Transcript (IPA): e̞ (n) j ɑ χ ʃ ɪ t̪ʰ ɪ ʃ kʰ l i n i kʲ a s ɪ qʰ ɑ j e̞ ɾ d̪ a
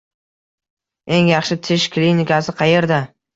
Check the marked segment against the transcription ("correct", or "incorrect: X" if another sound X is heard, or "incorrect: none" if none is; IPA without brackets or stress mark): incorrect: ŋ